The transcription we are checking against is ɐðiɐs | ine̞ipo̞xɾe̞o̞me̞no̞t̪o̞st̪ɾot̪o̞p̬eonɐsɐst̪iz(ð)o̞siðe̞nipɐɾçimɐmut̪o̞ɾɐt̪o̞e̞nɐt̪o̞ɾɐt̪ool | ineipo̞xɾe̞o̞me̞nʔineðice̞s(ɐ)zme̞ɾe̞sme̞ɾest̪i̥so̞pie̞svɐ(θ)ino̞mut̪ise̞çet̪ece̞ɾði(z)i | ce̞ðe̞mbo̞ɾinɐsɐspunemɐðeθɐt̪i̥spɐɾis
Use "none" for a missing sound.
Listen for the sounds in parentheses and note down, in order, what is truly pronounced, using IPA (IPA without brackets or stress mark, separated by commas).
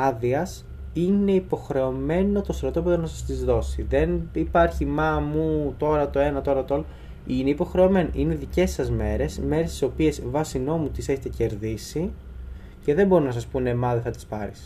ð, ɐ, s, s